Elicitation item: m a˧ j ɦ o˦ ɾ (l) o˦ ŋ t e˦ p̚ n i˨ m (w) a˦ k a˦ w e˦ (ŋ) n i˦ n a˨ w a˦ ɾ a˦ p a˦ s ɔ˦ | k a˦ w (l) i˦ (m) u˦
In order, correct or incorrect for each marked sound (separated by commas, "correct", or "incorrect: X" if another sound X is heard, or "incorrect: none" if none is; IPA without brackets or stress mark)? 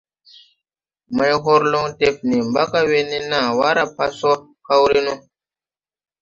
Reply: correct, incorrect: b, incorrect: none, incorrect: ɾ, incorrect: n